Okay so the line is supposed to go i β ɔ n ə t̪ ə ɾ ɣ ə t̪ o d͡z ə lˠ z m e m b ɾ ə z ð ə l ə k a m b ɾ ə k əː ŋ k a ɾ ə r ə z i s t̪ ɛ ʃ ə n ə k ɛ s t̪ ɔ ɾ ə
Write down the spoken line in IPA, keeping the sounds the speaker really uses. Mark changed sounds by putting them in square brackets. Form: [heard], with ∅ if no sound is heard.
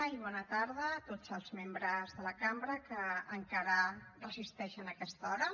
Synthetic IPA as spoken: i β ɔ n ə t̪ [a] ɾ [ð] ə t̪ o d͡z ə lˠ z m e m b ɾ ə z ð ə l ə k a m b ɾ ə k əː ŋ k a ɾ ə r ə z i s t̪ ɛ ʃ ə n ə k ɛ s t̪ ɔ ɾ ə